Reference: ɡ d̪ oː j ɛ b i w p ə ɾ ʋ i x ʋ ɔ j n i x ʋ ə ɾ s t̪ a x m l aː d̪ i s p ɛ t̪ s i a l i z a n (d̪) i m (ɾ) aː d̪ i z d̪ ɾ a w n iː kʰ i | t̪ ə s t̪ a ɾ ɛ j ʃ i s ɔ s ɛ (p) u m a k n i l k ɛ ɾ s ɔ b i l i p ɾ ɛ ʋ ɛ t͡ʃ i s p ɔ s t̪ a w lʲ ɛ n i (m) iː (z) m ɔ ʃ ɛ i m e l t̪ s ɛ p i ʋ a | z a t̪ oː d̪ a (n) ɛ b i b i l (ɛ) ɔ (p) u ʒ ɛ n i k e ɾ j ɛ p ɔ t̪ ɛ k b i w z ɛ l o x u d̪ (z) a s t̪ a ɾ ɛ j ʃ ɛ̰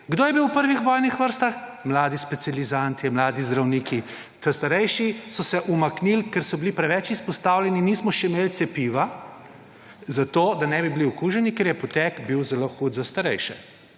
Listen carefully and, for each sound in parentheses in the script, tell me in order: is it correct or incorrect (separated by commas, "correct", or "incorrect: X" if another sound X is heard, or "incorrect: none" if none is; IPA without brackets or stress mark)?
incorrect: t̪, incorrect: l, incorrect: ʔ, incorrect: n, incorrect: s, correct, incorrect: i, incorrect: k, correct